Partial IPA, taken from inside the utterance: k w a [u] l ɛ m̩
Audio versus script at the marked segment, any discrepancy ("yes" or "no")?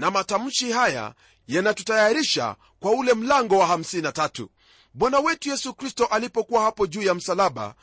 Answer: no